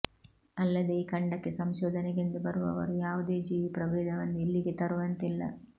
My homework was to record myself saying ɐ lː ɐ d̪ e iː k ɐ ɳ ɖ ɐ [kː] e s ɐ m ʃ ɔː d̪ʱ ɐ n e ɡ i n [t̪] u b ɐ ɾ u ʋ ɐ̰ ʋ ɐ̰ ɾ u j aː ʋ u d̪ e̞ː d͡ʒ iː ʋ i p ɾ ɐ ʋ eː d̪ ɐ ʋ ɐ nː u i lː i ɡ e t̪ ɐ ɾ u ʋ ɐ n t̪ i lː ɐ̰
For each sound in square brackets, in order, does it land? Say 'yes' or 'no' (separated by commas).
yes, no